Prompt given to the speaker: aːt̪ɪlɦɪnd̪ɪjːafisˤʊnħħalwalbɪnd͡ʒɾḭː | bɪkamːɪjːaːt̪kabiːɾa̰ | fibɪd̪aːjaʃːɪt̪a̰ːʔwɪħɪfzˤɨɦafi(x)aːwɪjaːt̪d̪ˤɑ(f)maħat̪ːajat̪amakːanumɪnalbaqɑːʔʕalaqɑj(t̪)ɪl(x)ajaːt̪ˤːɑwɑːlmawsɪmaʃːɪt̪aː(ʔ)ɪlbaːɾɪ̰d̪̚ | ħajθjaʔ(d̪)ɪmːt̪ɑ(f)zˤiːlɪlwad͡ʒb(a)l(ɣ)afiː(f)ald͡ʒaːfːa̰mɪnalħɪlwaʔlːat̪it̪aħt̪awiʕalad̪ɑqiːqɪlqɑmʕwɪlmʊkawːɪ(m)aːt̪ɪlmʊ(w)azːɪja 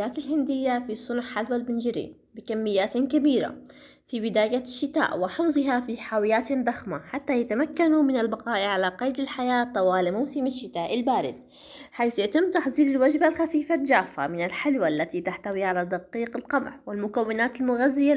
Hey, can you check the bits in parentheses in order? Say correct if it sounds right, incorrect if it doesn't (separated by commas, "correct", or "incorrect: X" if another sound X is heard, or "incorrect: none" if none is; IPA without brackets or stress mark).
incorrect: ħ, incorrect: x, incorrect: d̪, incorrect: ħ, correct, incorrect: t̪, incorrect: ħ, correct, incorrect: x, correct, incorrect: n, incorrect: ɣ